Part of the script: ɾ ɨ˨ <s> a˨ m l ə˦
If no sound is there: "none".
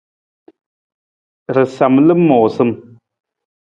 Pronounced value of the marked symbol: s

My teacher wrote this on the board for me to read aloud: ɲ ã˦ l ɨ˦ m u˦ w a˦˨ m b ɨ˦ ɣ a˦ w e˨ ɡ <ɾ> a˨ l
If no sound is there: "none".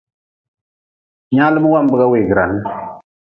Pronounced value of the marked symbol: ɾ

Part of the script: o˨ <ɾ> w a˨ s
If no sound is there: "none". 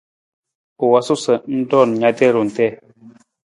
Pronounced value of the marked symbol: none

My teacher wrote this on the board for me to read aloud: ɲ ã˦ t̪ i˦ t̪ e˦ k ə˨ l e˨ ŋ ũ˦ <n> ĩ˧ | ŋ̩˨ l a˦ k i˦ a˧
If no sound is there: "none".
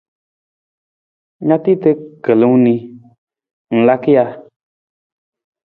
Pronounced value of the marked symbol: n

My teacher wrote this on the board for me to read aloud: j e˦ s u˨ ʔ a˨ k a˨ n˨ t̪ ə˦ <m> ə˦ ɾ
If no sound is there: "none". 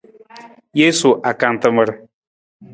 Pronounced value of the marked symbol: m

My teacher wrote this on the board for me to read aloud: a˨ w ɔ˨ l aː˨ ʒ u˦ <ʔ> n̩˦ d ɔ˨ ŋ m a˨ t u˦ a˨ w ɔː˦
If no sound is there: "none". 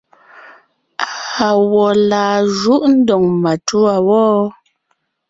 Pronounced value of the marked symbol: ʔ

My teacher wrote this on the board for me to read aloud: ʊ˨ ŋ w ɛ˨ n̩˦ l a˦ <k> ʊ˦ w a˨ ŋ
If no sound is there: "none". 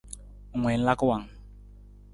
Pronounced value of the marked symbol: k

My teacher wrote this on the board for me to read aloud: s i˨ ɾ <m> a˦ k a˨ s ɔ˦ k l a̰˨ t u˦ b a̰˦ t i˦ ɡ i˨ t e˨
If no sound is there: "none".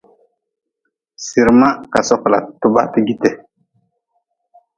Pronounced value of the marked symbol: m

